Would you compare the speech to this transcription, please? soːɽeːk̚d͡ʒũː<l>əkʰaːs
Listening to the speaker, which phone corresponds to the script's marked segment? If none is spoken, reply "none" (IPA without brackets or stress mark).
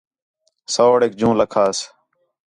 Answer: l